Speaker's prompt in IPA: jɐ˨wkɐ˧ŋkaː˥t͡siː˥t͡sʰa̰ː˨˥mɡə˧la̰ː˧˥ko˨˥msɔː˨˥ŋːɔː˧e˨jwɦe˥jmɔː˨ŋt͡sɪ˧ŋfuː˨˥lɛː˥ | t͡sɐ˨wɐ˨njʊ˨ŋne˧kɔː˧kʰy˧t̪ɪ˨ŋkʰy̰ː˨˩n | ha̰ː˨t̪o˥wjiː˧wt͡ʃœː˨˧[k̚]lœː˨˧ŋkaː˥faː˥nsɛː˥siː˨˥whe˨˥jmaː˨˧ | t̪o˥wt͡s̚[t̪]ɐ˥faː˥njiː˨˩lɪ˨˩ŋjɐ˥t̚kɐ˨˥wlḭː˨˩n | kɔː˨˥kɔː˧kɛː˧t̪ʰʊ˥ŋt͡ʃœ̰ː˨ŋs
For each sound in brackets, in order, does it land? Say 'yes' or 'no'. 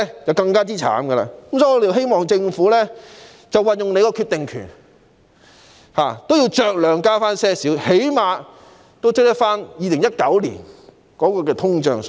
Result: yes, yes

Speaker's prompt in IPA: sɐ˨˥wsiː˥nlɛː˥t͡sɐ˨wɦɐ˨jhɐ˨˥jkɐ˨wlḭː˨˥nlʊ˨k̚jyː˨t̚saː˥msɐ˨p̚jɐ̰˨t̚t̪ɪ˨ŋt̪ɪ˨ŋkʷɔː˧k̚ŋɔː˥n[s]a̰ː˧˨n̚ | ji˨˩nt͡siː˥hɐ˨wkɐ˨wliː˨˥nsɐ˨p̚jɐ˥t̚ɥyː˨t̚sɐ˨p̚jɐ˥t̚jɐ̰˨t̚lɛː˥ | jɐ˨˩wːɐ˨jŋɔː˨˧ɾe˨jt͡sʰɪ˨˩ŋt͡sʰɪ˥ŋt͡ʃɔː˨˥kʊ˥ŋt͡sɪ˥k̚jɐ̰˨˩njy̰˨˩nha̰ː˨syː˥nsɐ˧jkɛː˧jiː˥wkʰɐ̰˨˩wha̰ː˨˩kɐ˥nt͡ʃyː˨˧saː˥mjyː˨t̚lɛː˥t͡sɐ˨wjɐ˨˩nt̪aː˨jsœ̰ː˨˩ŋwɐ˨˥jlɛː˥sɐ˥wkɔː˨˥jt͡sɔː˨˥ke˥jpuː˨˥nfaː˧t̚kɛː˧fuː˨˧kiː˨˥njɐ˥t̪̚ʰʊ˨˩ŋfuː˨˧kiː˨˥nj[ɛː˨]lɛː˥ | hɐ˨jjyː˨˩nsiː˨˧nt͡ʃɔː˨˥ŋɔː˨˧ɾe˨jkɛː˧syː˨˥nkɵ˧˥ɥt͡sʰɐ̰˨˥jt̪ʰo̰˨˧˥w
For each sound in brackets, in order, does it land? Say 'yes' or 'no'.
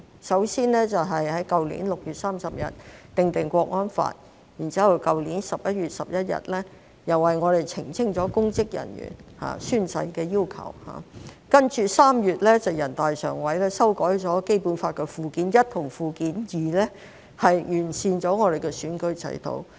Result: no, no

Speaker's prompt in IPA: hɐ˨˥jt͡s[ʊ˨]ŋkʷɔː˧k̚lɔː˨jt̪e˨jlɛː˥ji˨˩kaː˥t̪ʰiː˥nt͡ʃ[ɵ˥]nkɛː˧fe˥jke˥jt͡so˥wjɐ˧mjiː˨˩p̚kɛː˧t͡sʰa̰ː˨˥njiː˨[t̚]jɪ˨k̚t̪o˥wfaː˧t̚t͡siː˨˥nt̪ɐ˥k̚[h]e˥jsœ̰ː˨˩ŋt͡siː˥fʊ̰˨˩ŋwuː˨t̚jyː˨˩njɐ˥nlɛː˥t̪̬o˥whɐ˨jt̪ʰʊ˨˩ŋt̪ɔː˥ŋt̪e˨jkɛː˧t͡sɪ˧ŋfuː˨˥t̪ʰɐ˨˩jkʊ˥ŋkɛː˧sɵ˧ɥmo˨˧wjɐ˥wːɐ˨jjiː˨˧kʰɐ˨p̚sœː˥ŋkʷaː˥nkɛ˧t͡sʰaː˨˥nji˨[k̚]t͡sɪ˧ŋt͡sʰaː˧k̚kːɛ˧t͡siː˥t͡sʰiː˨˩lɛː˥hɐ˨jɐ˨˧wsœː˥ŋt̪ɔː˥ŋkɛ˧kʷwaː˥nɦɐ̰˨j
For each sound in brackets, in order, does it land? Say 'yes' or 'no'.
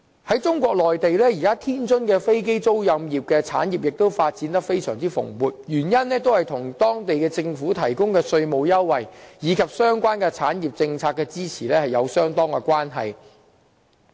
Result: no, yes, no, no, no

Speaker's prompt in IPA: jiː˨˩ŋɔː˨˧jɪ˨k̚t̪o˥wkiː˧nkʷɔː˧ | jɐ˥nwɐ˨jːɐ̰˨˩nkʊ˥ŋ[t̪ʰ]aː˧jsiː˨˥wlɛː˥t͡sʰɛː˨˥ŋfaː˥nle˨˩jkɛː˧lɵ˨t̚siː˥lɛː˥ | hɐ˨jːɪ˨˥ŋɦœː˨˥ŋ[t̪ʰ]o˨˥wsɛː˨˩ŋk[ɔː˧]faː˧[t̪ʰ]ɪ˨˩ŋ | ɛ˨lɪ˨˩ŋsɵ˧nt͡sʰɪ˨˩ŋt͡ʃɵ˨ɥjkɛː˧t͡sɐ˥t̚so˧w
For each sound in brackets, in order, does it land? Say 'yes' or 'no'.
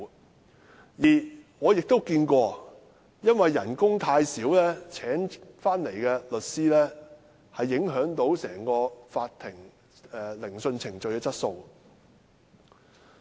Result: yes, no, yes, yes

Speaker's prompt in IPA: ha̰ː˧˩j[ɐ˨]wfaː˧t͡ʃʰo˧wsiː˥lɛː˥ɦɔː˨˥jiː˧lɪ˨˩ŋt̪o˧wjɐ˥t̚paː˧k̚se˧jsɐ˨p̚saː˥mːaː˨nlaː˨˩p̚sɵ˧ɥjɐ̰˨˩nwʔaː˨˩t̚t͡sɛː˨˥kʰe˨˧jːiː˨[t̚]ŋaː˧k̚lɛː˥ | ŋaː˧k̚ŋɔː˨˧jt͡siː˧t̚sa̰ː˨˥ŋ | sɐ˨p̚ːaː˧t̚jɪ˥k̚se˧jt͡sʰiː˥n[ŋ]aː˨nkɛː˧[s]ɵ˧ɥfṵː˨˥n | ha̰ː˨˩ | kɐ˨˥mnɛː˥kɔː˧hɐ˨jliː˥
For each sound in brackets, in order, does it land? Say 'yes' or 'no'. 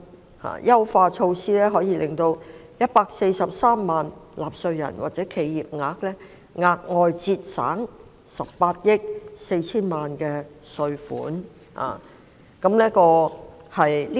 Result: no, no, no, yes

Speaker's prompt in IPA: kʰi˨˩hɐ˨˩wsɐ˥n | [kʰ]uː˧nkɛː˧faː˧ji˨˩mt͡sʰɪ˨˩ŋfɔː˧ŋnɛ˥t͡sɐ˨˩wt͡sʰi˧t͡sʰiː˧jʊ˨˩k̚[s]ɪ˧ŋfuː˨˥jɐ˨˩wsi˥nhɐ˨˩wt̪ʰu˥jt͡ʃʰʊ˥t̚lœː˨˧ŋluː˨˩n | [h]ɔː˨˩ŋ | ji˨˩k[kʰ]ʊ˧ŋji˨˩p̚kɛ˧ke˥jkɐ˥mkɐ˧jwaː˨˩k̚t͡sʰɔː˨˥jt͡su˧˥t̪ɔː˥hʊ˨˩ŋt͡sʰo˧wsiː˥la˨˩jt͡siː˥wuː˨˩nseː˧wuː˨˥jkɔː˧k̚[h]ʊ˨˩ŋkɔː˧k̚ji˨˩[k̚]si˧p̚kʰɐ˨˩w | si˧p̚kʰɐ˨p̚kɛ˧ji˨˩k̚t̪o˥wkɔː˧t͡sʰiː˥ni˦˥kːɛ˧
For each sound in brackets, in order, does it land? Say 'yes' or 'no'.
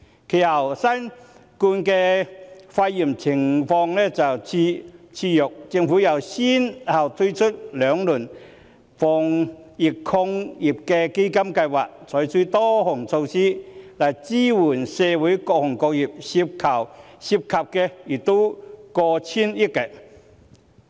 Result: no, no, no, yes, yes, no

